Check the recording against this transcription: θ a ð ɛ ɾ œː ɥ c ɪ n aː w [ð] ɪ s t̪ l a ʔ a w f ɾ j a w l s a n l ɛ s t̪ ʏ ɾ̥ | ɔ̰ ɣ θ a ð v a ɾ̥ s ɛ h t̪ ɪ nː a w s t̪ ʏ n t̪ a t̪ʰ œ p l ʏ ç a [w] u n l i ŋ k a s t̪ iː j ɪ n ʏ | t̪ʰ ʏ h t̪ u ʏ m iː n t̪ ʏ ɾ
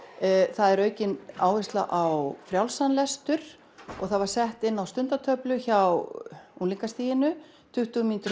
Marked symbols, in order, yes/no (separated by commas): no, yes